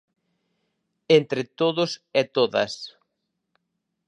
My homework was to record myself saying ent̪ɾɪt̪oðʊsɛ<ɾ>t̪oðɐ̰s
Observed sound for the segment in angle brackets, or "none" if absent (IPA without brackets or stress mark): none